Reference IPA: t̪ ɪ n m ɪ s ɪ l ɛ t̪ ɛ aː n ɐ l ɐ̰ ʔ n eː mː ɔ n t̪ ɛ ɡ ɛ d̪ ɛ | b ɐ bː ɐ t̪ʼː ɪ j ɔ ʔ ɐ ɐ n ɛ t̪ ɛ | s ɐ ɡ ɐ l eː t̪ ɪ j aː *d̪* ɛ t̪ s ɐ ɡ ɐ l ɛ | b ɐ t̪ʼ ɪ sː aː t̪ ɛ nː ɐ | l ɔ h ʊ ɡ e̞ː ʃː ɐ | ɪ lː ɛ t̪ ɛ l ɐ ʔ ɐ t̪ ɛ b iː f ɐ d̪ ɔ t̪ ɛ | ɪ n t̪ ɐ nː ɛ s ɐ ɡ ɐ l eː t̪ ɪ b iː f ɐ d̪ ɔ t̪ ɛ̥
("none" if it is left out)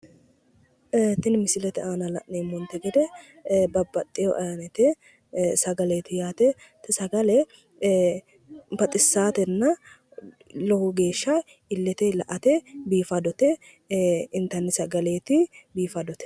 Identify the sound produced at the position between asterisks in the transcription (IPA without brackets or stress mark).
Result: t̪